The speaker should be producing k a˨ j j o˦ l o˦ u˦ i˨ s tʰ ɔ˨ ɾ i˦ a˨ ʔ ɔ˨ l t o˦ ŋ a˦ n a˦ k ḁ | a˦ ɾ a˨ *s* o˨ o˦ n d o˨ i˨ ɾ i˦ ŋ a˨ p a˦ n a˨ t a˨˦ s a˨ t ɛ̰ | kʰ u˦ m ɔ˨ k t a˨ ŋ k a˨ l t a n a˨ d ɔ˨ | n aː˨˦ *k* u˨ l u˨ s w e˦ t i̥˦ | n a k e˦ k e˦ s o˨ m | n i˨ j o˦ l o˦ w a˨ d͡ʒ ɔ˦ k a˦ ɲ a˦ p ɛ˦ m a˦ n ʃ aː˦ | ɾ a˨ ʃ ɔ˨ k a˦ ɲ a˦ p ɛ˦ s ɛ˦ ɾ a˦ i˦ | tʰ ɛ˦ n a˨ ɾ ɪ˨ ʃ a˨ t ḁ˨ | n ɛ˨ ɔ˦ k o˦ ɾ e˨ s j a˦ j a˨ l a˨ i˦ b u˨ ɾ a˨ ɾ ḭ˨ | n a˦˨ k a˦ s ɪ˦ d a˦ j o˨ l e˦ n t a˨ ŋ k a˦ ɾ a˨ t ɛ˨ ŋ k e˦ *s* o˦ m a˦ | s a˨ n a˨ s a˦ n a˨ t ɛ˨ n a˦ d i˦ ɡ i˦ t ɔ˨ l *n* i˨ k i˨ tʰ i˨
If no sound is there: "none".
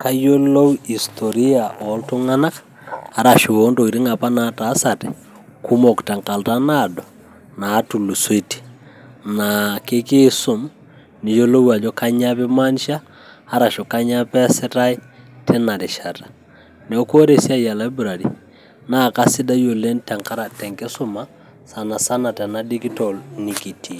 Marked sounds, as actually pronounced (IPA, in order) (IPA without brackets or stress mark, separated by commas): ʃ, t, s, n